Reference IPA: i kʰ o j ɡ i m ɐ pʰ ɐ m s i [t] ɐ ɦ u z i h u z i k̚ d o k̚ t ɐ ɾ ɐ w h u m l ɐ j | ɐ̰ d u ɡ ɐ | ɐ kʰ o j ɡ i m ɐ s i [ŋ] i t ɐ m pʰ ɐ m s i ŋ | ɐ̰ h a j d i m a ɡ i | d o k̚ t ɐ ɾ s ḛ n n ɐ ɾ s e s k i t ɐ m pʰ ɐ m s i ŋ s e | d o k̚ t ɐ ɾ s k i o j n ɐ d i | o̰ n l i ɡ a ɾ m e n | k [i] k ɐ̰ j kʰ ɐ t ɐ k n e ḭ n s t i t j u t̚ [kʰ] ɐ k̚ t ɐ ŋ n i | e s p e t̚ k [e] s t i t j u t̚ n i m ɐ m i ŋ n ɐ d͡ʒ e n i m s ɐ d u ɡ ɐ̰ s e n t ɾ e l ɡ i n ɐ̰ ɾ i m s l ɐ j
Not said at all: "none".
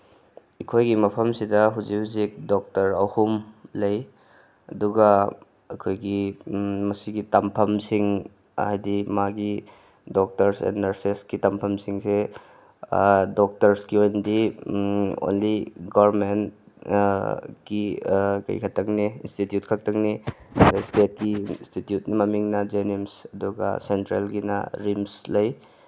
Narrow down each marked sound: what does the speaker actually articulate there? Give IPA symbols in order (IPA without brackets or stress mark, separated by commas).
d, ɡ, i, kʰ, i